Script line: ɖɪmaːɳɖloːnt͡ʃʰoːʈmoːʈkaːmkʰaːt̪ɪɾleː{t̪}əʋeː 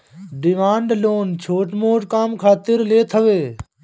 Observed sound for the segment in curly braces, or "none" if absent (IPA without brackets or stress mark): t̪ʰ